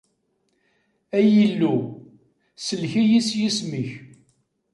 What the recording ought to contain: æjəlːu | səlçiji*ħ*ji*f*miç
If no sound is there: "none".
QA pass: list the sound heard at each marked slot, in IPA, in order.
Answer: s, s

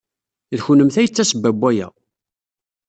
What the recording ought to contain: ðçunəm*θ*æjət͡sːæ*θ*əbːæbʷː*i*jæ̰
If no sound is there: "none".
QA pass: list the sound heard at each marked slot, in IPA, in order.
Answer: θ, s, æ

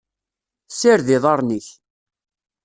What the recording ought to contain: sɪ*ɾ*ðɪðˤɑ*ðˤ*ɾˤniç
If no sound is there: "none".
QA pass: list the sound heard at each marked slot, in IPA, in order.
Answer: ɾ, none

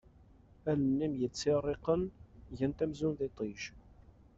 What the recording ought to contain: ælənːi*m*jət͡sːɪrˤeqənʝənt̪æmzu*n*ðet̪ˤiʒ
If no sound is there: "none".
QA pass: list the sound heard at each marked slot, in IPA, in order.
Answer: m, n

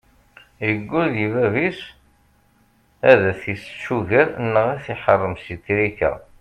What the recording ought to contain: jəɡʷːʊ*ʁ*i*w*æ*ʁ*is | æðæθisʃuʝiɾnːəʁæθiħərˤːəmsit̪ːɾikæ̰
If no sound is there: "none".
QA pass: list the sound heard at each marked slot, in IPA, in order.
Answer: ð, v, v

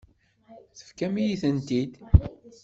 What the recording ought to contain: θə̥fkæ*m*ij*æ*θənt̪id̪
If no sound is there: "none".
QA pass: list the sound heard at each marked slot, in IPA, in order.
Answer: m, i

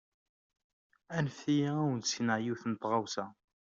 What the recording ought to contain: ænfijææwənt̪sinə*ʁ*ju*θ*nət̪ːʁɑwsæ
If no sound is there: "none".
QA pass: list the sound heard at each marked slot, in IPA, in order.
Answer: ʕ, θ

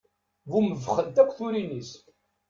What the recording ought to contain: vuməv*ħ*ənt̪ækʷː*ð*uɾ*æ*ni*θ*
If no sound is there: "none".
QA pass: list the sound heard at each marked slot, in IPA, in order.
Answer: χ, θ, i, s

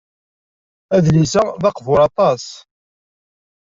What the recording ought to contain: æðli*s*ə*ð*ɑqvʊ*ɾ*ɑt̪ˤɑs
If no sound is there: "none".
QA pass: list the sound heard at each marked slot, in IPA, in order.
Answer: s, ð, ɾ

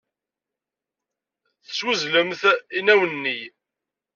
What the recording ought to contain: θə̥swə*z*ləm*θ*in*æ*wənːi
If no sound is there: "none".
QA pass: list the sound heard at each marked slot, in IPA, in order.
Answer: z, θ, æ

